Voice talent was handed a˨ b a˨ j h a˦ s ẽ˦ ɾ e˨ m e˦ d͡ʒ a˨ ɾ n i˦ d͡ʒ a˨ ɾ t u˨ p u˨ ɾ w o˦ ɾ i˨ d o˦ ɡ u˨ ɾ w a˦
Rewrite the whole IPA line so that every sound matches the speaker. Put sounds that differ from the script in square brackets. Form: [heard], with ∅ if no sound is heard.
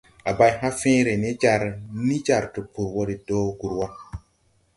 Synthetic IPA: a˨ b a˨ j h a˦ [f] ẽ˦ ɾ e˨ [n] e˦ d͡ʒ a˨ ɾ n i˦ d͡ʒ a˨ ɾ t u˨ p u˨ ɾ w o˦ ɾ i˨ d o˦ ɡ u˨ ɾ w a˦